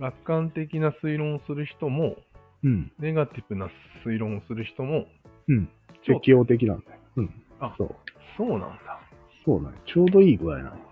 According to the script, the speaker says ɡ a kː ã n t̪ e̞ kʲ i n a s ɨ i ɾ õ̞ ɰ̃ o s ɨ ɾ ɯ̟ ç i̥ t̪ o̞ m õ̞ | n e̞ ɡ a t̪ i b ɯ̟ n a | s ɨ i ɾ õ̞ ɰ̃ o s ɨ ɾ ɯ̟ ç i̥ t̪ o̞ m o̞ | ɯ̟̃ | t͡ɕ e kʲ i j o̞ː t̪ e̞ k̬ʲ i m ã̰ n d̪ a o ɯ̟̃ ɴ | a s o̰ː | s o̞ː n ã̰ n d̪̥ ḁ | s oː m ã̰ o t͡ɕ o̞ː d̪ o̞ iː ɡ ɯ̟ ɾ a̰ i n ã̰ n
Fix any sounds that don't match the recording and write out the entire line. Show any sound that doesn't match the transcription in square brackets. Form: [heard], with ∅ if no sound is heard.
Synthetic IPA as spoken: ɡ a kː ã n t̪ e̞ kʲ i n a s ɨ i ɾ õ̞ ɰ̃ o s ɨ ɾ ɯ̟ ç i̥ t̪ o̞ m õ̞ | n e̞ ɡ a t̪ i b ɯ̟ n a | s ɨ i ɾ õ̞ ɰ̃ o s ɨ ɾ ɯ̟ ç i̥ t̪ o̞ m o̞ | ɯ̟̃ | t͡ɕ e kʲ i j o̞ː t̪ e̞ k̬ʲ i [n] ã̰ n d̪ a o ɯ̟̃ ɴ | a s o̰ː | s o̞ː n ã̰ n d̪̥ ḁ | s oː [n] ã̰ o t͡ɕ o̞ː d̪ o̞ iː ɡ ɯ̟ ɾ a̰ i n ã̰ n